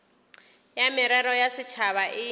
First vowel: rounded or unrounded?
unrounded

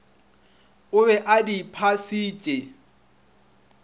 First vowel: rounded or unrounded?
rounded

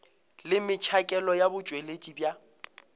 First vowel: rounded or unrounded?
unrounded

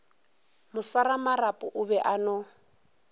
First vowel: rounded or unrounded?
rounded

